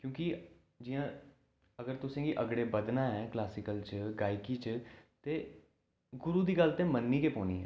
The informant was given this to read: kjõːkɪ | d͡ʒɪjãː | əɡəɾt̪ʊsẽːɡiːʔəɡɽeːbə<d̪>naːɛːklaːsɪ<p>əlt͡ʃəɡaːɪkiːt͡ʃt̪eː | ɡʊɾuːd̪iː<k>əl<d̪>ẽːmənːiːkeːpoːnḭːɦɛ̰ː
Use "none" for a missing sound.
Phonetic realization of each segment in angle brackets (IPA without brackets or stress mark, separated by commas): d̪, k, ɡ, t̪